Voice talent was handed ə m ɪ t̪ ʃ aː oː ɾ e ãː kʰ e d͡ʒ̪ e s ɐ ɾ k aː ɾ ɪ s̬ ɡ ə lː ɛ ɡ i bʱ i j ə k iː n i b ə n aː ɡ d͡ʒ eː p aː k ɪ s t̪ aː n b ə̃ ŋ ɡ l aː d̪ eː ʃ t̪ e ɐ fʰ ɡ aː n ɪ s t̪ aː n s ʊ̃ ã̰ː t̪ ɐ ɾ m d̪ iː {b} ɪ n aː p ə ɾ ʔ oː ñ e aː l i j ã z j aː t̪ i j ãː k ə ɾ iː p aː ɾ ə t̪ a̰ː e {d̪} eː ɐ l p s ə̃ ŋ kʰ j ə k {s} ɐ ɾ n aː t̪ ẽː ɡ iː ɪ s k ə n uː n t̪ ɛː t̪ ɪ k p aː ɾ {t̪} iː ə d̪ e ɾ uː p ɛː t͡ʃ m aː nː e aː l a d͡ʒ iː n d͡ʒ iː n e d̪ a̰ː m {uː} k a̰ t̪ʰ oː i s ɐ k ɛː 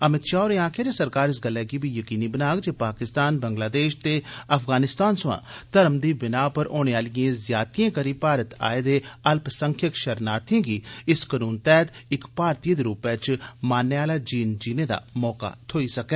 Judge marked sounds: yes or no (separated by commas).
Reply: yes, yes, no, yes, no